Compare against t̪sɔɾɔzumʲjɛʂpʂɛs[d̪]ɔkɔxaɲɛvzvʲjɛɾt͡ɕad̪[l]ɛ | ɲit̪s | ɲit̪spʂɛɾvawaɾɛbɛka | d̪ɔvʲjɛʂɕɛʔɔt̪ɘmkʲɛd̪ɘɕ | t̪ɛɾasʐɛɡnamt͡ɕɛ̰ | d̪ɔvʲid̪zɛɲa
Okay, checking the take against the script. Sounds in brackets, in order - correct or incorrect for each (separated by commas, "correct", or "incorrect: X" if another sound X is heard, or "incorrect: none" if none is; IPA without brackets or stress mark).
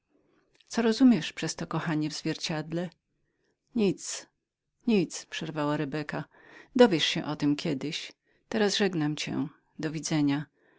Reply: incorrect: t̪, correct